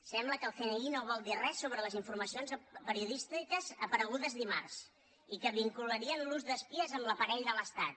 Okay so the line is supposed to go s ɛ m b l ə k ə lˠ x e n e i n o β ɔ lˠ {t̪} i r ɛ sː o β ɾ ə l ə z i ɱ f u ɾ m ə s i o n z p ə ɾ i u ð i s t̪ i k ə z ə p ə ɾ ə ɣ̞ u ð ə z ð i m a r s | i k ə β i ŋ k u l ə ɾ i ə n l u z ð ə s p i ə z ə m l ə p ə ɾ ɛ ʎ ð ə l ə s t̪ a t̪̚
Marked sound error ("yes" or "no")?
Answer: yes